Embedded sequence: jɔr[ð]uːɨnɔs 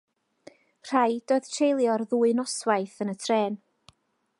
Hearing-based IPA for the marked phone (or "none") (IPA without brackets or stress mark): ð